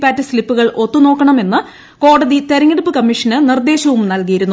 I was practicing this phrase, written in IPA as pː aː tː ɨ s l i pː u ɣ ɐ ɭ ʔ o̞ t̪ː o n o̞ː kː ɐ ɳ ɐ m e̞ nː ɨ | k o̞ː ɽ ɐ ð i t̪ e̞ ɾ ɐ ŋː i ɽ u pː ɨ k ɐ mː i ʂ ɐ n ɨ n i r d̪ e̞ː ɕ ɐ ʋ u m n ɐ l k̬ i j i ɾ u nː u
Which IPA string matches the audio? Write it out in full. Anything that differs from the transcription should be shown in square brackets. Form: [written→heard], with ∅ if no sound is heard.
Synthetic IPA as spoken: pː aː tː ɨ s l i pː u ɣ ɐ ɭ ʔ o̞ t̪ː [o→u] n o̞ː kː ɐ ɳ ɐ m e̞ nː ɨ | k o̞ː ɽ ɐ ð i t̪ e̞ ɾ ɐ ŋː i ɽ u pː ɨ k ɐ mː i ʂ ɐ n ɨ n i r d̪ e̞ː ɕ ɐ ʋ u m n ɐ l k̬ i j i ɾ u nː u

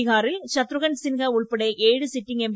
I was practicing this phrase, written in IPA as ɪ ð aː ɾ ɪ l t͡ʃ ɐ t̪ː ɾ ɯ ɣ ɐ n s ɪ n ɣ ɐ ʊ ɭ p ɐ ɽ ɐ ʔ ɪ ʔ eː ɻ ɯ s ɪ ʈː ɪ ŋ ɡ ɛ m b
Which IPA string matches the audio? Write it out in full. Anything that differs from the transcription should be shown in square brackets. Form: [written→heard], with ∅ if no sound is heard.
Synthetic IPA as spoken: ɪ [ð→ɣ] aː ɾ ɪ l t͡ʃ ɐ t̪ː ɾ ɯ ɣ ɐ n s ɪ n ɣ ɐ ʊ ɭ p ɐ ɽ ɐ [ʔ→∅] ɪ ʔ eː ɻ ɯ s ɪ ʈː ɪ ŋ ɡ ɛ m b

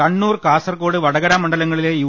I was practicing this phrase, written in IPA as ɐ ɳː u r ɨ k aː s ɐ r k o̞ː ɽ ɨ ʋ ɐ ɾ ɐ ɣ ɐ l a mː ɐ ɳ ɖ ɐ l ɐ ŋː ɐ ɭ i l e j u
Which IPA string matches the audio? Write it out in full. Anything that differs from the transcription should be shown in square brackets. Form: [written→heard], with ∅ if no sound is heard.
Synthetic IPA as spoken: ɐ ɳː [u→uː] r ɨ k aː s ɐ r k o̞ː ɽ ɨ ʋ ɐ [ɾ→ɽ] ɐ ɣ ɐ [l→ɾ] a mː ɐ ɳ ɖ ɐ l ɐ ŋː ɐ ɭ i l e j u

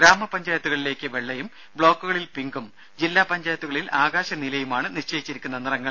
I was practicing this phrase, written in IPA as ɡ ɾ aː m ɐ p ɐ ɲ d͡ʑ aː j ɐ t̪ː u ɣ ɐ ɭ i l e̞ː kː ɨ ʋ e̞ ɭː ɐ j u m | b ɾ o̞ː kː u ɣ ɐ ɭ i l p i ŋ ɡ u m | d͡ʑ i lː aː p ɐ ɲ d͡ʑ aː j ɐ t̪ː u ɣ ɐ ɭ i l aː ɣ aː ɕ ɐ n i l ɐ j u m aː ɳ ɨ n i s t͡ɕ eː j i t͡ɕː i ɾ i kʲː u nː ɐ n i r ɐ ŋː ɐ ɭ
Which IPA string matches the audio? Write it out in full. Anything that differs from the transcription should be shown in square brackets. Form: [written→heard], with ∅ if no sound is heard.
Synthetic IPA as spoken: ɡ ɾ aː m ɐ p ɐ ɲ d͡ʑ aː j ɐ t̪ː u ɣ ɐ ɭ i l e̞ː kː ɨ ʋ e̞ ɭː ɐ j u m | b [ɾ→ɭ] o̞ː kː u ɣ ɐ ɭ i l p i ŋ ɡ u m | d͡ʑ i lː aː p ɐ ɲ d͡ʑ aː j ɐ t̪ː u ɣ ɐ ɭ i l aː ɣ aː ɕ ɐ n i l ɐ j u m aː ɳ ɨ n i [s→ʂ] t͡ɕ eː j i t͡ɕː i ɾ i kʲː u nː ɐ n i r ɐ ŋː ɐ ɭ

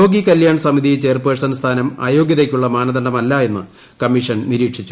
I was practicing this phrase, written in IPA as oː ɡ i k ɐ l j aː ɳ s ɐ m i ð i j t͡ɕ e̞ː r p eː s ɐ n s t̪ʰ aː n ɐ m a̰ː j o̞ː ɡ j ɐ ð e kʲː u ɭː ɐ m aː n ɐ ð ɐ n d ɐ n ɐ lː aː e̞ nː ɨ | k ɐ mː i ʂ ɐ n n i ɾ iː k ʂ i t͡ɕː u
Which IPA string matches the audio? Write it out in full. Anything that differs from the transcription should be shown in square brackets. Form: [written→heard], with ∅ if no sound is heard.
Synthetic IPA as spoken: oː ɡ i k ɐ l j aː ɳ s ɐ m i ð i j t͡ɕ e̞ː r p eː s ɐ n s t̪ʰ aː n ɐ m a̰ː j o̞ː ɡ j ɐ ð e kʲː u ɭː ɐ m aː n ɐ ð ɐ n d ɐ [n→m] ɐ lː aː e̞ nː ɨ | k ɐ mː i ʂ ɐ n n i ɾ iː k ʂ i t͡ɕː u

